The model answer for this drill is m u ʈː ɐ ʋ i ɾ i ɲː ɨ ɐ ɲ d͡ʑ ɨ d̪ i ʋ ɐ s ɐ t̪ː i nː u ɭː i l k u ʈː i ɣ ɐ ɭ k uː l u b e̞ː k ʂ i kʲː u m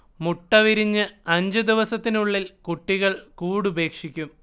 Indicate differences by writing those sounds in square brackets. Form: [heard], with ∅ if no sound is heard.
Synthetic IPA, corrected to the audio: m u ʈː ɐ ʋ i ɾ i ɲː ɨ ɐ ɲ d͡ʑ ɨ d̪ i ʋ ɐ s ɐ t̪ː i [n] u ɭː i l k u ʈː i ɣ ɐ ɭ k uː [ɽ] u b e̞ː k ʂ i kʲː u m

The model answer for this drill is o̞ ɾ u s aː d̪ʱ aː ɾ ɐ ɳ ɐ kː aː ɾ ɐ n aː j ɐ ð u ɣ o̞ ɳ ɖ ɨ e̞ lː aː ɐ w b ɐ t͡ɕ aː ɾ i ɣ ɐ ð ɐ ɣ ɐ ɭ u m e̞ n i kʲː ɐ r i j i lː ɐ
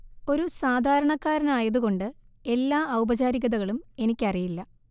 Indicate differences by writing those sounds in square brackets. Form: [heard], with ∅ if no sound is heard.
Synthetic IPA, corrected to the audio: o̞ ɾ u s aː d̪ʱ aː ɾ ɐ ɳ ɐ kː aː ɾ ɐ n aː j ɐ ð u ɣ o̞ ɳ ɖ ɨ e̞ lː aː ɐ w b ɐ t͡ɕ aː ɾ i ɣ ɐ ð ɐ ɣ ɐ ɭ u m e̞ n i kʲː ɐ r i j i lː ɐ

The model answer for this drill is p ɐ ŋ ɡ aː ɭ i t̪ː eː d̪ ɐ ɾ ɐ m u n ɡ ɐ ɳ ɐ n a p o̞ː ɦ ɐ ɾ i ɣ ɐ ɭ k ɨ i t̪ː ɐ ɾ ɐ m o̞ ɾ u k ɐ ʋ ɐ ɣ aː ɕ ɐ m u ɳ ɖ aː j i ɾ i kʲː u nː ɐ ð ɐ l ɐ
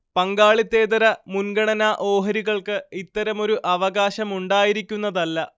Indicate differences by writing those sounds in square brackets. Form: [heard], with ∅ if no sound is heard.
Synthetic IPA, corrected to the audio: p ɐ ŋ ɡ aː ɭ i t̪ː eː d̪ ɐ ɾ ɐ m u n ɡ ɐ ɳ ɐ n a [ʔ] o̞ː ɦ ɐ ɾ i ɣ ɐ ɭ k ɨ i t̪ː ɐ ɾ ɐ m o̞ ɾ u [ʔ] ɐ ʋ ɐ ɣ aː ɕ ɐ m u ɳ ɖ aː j i ɾ i kʲː u nː ɐ ð ɐ [lː] ɐ

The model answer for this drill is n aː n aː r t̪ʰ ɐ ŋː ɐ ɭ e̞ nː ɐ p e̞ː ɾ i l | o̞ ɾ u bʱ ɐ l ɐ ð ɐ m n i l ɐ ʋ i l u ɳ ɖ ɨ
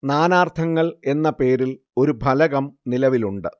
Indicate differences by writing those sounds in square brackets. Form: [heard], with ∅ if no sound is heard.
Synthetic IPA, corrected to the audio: n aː n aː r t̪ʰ ɐ ŋː ɐ ɭ e̞ nː ɐ p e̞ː ɾ i l | o̞ ɾ u bʱ ɐ l ɐ [ɣ] ɐ m n i l ɐ ʋ i l u ɳ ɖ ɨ

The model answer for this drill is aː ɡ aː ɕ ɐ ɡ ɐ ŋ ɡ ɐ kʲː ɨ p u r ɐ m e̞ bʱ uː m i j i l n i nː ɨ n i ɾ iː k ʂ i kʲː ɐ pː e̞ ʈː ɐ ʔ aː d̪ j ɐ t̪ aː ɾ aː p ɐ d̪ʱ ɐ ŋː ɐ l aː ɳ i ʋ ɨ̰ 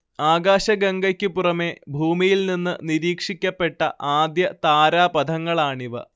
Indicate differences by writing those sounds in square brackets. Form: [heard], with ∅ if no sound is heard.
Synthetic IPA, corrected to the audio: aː ɡ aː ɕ ɐ ɡ ɐ ŋ ɡ ɐ kʲː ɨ p u r ɐ m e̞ bʱ uː m i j i l n i nː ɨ n i ɾ iː k ʂ i kʲː ɐ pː e̞ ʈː ɐ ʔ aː d̪ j ɐ t̪ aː ɾ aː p ɐ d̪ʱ ɐ ŋː ɐ [ɭ] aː ɳ i ʋ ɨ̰

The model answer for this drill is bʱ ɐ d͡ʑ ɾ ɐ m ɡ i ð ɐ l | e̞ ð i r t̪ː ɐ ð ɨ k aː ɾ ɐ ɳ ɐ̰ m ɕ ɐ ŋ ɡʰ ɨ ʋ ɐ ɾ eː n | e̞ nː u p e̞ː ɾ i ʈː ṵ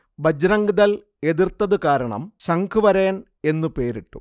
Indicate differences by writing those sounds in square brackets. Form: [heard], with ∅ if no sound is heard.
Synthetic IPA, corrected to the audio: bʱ ɐ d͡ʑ ɾ ɐ [ŋ] ɡ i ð ɐ l | e̞ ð i r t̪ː ɐ ð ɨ k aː ɾ ɐ ɳ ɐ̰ m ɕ ɐ ŋ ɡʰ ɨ ʋ ɐ ɾ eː n | e̞ nː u p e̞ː ɾ i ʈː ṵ

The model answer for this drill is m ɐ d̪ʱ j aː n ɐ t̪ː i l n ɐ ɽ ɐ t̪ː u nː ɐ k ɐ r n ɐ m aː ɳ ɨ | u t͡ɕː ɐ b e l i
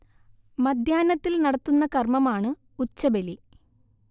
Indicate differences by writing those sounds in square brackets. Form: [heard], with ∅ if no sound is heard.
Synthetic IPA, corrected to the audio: m ɐ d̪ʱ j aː n ɐ t̪ː i l n ɐ ɽ ɐ t̪ː u nː ɐ k ɐ r [m] ɐ m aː ɳ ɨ | u t͡ɕː ɐ b e l i

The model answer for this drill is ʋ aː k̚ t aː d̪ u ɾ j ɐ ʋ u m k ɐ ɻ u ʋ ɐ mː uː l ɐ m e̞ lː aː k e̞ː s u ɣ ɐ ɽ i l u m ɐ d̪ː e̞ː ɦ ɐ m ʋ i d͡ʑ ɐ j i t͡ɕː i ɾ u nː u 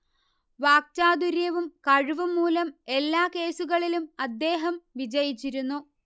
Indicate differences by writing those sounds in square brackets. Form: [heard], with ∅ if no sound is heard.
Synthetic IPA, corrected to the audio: ʋ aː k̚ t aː d̪ u ɾ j ɐ ʋ u m k ɐ ɻ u ʋ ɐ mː uː l ɐ m e̞ lː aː k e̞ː s u ɣ ɐ [ɭ] i l u m ɐ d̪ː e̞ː ɦ ɐ m ʋ i d͡ʑ ɐ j i t͡ɕː i ɾ u nː u

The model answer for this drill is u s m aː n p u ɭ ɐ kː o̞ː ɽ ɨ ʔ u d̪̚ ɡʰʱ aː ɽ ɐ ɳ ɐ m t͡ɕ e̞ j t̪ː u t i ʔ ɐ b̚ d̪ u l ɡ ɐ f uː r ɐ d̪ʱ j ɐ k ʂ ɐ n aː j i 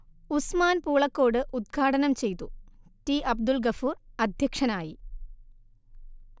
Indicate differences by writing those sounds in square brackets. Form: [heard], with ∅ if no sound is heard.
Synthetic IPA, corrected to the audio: u s m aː n p [uː] ɭ ɐ kː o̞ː ɽ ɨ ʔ u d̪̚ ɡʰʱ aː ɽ ɐ [n] ɐ m t͡ɕ e̞ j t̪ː u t i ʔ ɐ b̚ d̪ u l ɡ ɐ f uː r ɐ d̪ʱ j ɐ k ʂ ɐ n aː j i

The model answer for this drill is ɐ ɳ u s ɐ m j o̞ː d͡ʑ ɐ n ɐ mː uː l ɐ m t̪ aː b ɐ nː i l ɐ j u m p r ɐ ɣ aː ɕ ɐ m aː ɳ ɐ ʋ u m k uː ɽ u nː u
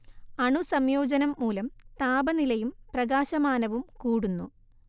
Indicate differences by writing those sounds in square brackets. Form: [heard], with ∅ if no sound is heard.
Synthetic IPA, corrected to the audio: ɐ ɳ u s ɐ m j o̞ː d͡ʑ ɐ n ɐ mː uː l ɐ m t̪ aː b ɐ [n] i l ɐ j u m p r ɐ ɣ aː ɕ ɐ m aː [n] ɐ ʋ u m k uː ɽ u nː u

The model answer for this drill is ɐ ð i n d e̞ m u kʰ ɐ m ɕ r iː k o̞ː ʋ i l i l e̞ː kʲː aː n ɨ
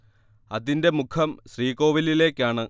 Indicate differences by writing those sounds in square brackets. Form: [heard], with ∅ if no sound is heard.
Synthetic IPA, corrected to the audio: ɐ ð i n d e̞ m u kʰ ɐ m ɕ r iː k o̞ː ʋ i l i l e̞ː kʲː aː [ɳ] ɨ

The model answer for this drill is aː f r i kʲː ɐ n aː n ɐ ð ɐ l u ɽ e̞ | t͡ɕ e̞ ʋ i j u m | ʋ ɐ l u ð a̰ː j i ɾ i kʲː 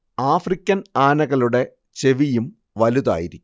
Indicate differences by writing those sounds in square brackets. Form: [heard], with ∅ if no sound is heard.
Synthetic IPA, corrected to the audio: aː f r i kʲː ɐ n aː n ɐ [ɣ] ɐ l u ɽ e̞ | t͡ɕ e̞ ʋ i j u m | ʋ ɐ l u ð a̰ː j i ɾ i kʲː

